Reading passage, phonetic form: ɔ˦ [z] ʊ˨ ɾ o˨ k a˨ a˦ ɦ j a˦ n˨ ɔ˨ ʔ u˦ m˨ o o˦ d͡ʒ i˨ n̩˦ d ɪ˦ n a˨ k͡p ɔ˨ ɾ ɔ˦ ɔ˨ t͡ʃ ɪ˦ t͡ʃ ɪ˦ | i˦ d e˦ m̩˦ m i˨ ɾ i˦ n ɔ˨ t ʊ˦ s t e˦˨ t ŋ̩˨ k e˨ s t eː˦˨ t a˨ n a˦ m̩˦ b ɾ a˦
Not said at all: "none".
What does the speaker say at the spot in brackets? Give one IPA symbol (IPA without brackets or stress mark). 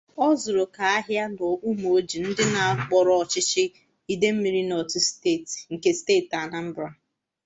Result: z